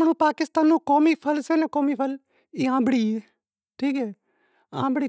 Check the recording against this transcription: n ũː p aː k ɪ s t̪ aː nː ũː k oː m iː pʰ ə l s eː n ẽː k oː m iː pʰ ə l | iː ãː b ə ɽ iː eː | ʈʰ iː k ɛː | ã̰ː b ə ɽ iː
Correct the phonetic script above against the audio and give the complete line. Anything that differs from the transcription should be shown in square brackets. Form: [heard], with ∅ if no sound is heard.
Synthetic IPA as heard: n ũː p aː k ɪ s t̪ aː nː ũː k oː m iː pʰ ə l s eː n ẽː k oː m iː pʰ ə l | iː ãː b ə ɽ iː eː | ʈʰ iː k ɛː | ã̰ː b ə ɽ iː